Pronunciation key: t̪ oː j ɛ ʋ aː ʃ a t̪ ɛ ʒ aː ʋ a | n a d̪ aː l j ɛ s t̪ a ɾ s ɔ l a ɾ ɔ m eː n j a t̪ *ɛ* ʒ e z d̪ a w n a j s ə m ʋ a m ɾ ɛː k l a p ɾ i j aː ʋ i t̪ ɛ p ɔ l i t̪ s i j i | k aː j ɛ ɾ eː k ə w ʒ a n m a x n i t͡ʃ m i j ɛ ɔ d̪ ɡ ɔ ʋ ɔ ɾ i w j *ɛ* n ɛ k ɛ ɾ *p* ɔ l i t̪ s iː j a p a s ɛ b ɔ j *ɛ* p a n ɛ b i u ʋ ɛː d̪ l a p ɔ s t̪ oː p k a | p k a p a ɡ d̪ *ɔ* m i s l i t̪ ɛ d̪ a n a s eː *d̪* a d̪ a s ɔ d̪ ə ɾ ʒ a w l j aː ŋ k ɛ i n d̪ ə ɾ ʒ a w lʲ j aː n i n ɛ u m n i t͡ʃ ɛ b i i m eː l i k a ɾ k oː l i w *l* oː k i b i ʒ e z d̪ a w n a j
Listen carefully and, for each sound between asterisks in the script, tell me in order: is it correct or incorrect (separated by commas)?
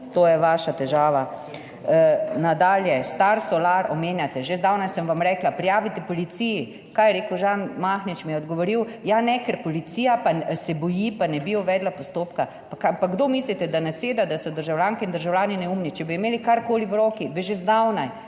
correct, incorrect, correct, incorrect, incorrect, correct, incorrect